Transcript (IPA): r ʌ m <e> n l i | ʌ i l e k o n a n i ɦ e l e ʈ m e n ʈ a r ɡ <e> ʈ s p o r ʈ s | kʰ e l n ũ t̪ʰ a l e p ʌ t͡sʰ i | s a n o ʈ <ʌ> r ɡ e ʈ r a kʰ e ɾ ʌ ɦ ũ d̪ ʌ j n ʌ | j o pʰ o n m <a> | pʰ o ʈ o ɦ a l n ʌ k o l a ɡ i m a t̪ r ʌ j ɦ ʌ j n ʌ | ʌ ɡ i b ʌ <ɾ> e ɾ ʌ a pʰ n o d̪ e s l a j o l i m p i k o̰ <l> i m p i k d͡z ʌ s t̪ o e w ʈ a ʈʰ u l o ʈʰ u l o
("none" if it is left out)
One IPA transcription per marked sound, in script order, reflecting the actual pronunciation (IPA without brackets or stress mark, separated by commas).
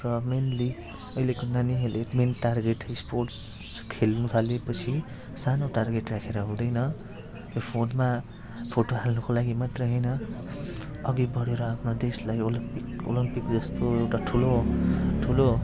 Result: e, e, a, a, ɽ, l